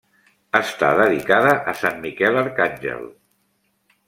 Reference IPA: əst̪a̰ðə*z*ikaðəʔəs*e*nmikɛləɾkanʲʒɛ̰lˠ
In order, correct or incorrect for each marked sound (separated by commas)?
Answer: incorrect, incorrect